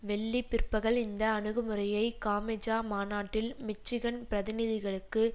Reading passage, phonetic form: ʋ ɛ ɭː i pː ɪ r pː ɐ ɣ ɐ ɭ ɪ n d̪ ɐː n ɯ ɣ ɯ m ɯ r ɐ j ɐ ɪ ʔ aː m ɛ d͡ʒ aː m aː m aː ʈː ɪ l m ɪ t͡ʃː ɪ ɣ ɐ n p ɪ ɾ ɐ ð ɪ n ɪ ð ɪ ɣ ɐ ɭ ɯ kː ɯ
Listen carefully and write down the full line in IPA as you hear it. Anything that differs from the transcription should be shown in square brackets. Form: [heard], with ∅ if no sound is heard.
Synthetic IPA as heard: ʋ ɛ ɭː i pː ɪ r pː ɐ ɣ ɐ ɭ ɪ n d̪ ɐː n ɯ ɣ ɯ m ɯ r ɐ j ɐ ɪ [k] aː m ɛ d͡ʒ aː m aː [n] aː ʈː ɪ l m ɪ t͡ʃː ɪ ɣ ɐ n p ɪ ɾ ɐ ð ɪ n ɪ ð ɪ ɣ ɐ ɭ ɯ kː ɯ